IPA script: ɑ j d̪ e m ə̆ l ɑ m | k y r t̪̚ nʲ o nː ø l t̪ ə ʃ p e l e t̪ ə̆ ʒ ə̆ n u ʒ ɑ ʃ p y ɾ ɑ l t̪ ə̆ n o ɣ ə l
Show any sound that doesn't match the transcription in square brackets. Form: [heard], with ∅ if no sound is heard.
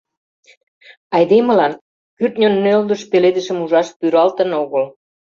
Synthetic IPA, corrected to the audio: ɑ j d̪ e m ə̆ l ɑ [n] | k y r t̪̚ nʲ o nː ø l [d̪] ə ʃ p e l e [d̪] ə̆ [ʃ] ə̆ [m] u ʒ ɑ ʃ p y ɾ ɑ l t̪ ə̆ n o ɣ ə l